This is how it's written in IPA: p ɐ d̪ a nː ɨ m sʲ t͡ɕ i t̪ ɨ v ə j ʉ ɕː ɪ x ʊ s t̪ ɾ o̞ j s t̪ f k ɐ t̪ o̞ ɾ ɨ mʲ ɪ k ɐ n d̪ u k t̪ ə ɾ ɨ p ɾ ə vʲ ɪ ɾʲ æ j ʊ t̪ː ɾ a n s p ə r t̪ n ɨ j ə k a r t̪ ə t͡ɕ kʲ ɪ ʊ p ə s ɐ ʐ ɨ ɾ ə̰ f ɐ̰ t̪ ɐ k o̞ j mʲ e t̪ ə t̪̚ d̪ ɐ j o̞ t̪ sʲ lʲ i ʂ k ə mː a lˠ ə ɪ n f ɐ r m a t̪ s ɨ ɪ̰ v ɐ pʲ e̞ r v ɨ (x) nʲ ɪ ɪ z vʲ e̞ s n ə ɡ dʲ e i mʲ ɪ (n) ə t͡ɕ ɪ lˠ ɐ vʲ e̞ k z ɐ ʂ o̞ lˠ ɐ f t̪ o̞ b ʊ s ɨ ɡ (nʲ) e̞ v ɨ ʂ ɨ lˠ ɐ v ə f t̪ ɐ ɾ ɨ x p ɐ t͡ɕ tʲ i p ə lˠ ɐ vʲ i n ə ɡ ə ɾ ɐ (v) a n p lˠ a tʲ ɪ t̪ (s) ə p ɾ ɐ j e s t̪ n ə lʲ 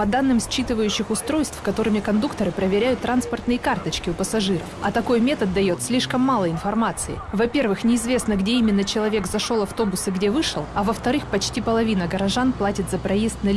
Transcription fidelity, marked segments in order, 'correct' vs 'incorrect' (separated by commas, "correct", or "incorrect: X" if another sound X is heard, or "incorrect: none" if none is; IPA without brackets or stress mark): correct, incorrect: nː, incorrect: dʲ, incorrect: ʐ, incorrect: z